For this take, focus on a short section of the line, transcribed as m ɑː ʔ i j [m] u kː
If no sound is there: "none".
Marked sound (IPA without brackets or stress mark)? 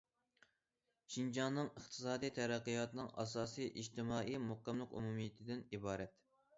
m